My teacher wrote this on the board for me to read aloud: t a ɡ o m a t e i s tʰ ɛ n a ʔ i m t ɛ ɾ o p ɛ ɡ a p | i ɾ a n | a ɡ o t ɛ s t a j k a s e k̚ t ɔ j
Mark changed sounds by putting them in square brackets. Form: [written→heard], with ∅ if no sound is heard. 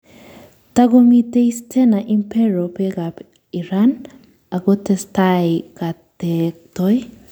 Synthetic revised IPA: t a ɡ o m [a→i] t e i s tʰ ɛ n a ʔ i m [t→p] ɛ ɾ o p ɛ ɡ a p | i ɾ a n | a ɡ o t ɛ s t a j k a [s→t] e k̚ t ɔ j